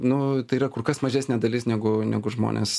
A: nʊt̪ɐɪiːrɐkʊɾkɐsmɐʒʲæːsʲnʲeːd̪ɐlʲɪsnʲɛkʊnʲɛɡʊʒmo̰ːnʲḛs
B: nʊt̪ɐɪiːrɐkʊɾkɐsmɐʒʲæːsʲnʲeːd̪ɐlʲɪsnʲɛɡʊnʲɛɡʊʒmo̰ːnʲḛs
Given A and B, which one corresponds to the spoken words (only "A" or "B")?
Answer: B